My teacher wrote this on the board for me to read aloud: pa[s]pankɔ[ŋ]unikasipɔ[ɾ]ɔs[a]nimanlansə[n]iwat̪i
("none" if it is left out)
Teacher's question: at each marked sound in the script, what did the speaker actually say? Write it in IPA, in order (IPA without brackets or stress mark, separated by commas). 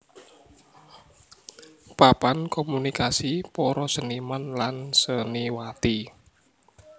none, m, ɾ, ə, n